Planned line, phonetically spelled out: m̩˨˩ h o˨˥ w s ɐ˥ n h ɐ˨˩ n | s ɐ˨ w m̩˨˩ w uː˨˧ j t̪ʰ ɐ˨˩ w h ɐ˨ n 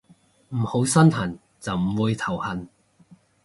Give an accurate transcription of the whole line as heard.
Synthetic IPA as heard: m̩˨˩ h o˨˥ w s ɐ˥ n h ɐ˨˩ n | t͡s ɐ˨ w m̩˨˩ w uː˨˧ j t̪ʰ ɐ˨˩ w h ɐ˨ n